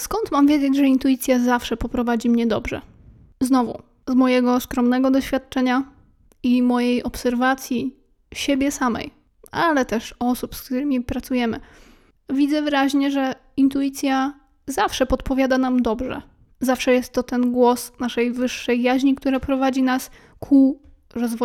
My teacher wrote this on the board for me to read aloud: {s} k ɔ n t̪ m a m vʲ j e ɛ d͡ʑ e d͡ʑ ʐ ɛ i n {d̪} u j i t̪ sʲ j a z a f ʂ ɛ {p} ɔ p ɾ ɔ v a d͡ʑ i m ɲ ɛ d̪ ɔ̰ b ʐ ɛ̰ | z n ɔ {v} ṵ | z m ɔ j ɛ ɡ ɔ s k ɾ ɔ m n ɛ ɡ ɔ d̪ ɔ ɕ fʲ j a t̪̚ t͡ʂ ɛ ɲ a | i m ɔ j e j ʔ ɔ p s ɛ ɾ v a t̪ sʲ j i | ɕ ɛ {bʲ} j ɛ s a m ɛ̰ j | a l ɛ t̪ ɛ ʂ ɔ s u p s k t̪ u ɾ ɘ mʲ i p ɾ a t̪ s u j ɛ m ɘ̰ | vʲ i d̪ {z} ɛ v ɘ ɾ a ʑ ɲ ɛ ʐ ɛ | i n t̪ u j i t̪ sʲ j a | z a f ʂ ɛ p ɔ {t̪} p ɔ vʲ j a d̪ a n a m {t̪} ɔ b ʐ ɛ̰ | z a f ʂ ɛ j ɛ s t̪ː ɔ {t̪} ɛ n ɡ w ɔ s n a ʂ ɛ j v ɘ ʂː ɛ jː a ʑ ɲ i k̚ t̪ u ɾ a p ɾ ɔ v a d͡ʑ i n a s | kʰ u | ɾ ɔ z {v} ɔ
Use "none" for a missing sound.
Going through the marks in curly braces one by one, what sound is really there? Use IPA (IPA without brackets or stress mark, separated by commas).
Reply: s, t̪, p, v, bʲ, z, t̪, d̪, t̪, v